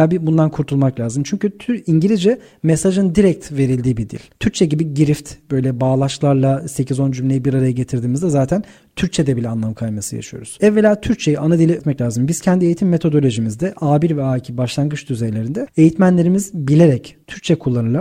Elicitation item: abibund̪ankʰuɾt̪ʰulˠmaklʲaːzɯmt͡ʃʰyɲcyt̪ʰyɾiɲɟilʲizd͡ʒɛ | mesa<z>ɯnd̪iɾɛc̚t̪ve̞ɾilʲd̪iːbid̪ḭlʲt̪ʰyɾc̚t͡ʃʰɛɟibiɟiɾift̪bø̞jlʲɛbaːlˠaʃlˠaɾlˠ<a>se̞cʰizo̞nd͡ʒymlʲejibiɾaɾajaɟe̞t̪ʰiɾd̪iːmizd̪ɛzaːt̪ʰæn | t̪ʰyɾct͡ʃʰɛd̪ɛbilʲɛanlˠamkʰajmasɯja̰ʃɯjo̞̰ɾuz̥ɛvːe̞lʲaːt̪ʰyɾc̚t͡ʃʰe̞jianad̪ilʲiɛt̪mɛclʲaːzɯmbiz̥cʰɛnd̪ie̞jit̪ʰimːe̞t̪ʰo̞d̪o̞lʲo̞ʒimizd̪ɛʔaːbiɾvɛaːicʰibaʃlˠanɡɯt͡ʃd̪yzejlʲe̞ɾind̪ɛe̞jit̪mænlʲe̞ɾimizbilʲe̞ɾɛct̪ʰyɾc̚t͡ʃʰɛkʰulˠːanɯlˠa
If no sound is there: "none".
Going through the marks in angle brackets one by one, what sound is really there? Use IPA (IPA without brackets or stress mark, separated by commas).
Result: ʒ, a